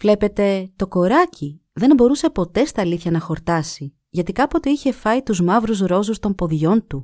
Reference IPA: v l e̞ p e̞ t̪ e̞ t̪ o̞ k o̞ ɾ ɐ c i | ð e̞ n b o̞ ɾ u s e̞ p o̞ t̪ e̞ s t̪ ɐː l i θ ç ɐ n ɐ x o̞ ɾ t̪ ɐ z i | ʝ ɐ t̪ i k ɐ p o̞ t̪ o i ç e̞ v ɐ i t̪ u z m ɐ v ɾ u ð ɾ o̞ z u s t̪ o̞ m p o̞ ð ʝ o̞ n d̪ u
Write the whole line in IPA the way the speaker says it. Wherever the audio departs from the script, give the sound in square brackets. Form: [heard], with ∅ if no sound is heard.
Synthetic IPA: v l e̞ p e̞ t̪ e̞ t̪ o̞ k o̞ ɾ ɐ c i | ð e̞ n b o̞ ɾ u s e̞ p o̞ t̪ e̞ s t̪ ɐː l i θ ç ɐ n ɐ x o̞ ɾ t̪ ɐ [s] i | ʝ ɐ t̪ i k ɐ p o̞ t̪ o i ç e̞ [f] ɐ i t̪ u z m ɐ v ɾ u [z] ɾ o̞ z u s t̪ o̞ m p o̞ ð ʝ o̞ n [t̪] u